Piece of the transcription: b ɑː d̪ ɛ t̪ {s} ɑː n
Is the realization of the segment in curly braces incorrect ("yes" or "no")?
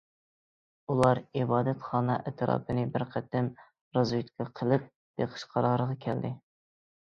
yes